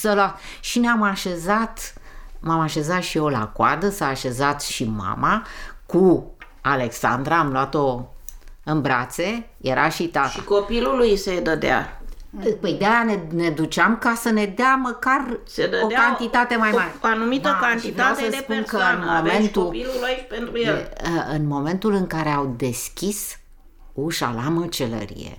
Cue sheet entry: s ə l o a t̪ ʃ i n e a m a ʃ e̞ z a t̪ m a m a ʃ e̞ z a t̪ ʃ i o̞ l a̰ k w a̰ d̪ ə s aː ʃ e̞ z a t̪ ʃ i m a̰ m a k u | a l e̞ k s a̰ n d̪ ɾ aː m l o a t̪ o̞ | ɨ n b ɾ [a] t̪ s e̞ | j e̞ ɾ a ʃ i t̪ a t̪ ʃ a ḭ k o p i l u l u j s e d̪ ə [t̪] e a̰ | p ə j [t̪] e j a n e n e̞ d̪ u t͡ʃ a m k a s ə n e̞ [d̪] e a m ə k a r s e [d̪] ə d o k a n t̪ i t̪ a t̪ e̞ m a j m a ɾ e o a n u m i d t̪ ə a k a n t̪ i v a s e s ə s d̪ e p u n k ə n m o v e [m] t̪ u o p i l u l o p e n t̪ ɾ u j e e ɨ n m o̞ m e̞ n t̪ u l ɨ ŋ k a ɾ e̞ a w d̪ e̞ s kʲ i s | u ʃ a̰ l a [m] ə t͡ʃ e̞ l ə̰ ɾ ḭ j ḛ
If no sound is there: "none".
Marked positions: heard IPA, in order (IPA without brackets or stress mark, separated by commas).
a, d̪, d̪, d̪, d̪, n, m